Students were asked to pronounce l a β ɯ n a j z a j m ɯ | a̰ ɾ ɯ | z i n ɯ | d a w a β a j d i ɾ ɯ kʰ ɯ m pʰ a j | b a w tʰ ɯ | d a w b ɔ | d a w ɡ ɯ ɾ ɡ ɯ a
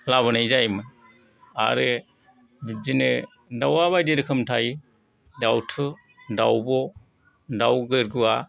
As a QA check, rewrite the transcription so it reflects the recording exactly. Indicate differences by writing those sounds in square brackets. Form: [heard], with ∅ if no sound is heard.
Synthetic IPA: l a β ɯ n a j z a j m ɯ | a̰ ɾ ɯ | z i n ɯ | d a w a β a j d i ɾ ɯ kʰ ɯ m [tʰ] a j | [d] a w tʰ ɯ | d a w b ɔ | d a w ɡ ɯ ɾ ɡ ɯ a